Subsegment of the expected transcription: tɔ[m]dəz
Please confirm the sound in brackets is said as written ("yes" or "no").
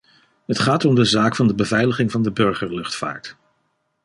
yes